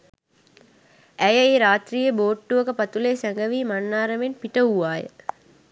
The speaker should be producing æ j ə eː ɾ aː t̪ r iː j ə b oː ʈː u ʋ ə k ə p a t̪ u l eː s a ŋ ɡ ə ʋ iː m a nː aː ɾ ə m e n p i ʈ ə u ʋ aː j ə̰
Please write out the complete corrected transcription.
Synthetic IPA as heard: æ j ə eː ɾ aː t̪ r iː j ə b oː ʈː u ʋ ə k ə p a t̪ u l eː s æ ŋ ɡ ə ʋ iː m a nː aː ɾ ə m e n p i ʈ ə u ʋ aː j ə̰